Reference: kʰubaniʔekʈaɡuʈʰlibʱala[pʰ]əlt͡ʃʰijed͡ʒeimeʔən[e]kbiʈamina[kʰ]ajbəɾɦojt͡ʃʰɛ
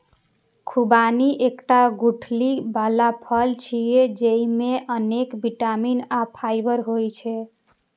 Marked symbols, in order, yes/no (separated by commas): yes, yes, no